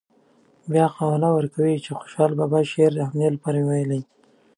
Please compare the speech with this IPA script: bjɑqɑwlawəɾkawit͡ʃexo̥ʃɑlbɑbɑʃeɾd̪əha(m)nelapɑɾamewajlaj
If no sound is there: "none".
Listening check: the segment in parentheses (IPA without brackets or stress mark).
m